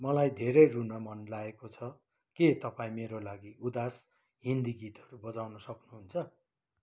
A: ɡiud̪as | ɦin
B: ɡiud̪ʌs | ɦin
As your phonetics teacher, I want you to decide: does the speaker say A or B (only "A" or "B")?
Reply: A